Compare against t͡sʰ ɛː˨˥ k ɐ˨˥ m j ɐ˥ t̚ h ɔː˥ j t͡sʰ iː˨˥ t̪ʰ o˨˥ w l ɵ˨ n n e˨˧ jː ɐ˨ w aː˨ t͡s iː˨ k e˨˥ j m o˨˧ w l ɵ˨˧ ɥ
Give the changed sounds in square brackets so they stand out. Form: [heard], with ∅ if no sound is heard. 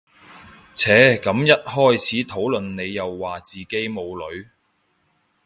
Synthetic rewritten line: t͡sʰ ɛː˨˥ k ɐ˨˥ m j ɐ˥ t̚ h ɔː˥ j t͡sʰ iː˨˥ t̪ʰ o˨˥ w l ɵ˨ n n e˨˧ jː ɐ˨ [wː] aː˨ t͡s iː˨ k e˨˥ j m o˨˧ w l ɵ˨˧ ɥ